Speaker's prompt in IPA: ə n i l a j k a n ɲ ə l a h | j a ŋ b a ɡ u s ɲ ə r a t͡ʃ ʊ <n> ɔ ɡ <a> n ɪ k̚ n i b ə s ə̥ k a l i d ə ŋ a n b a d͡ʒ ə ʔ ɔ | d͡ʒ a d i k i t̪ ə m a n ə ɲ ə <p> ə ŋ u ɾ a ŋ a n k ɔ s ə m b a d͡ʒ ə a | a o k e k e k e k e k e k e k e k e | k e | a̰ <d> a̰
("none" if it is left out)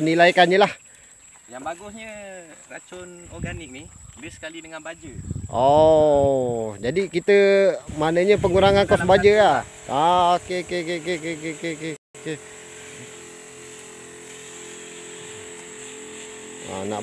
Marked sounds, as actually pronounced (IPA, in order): n, a, p, n

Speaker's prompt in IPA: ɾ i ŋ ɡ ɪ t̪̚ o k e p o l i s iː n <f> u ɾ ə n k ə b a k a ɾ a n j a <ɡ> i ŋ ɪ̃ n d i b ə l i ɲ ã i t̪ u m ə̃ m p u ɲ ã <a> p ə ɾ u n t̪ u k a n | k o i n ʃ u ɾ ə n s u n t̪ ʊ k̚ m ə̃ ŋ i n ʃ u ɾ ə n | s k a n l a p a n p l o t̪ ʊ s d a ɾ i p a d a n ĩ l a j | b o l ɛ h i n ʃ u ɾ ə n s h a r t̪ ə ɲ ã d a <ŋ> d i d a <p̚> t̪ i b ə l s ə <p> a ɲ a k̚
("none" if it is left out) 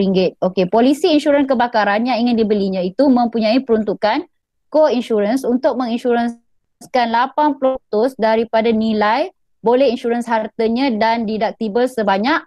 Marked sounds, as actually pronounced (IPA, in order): ʃ, ŋ, i, n, k̚, b

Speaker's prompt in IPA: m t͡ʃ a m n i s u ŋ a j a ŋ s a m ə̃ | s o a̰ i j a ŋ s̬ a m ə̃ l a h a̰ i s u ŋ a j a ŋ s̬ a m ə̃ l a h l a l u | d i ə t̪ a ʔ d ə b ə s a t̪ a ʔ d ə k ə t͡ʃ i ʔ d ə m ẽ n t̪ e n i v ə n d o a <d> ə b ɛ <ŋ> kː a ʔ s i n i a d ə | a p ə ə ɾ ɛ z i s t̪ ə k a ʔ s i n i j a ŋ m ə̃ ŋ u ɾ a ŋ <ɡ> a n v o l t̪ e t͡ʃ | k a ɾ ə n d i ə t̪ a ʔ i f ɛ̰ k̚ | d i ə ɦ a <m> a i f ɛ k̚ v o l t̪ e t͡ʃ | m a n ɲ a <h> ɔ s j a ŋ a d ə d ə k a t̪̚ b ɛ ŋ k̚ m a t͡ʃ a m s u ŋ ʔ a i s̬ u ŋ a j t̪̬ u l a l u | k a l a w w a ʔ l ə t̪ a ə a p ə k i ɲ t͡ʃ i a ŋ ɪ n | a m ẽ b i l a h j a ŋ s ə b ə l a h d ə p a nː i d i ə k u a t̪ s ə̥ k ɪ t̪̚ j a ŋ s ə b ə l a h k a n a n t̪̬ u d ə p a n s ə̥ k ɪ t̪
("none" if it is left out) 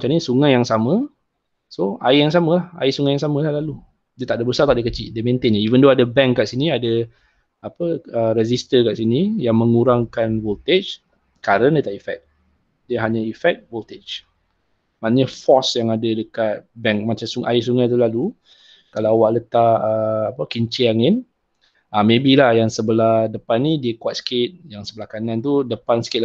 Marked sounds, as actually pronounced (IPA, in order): d, ŋ, k, ɲ, f

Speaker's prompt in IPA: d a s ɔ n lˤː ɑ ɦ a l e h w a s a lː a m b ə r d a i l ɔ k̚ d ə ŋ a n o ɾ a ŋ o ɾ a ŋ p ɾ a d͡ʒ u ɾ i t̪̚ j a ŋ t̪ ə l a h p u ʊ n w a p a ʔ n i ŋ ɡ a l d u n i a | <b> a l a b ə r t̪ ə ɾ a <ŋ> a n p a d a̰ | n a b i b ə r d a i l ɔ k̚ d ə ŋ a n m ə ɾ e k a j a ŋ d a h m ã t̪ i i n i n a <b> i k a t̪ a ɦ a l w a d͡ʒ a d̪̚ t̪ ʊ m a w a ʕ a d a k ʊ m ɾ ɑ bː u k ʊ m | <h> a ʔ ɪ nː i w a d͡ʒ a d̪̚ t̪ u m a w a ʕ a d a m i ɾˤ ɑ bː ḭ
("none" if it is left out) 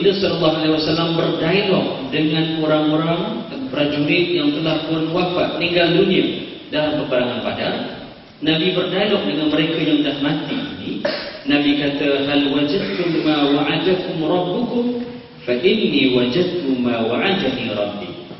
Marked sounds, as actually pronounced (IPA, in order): d, ŋ, b, f

